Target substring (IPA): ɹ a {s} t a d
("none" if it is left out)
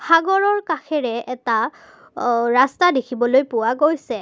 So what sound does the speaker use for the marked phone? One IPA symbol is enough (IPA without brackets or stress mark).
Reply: s